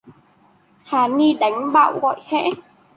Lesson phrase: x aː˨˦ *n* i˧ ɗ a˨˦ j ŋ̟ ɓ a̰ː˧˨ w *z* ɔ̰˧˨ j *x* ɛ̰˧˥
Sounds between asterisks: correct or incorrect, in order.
correct, incorrect: ɣ, correct

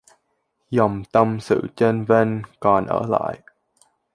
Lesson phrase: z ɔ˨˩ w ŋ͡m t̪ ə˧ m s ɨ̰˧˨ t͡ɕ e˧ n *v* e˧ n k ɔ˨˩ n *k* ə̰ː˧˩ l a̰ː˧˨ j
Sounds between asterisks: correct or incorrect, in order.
correct, incorrect: ʔ

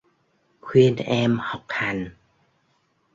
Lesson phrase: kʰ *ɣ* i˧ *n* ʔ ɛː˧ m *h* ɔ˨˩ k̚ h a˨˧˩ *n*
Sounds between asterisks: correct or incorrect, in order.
incorrect: w, correct, correct, correct

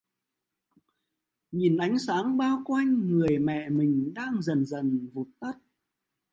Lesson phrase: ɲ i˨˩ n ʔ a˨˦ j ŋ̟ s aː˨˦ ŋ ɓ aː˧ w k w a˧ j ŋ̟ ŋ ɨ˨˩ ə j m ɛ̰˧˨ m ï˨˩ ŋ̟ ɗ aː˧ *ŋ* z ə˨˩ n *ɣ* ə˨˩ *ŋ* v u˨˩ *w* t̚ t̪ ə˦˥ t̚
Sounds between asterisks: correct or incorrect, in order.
correct, incorrect: z, incorrect: n, incorrect: none

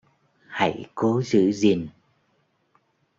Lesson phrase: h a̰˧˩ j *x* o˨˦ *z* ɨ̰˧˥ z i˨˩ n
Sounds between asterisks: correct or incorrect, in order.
incorrect: k, correct

